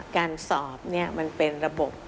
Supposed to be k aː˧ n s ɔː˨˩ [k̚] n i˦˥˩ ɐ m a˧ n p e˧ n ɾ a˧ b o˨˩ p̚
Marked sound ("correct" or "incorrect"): incorrect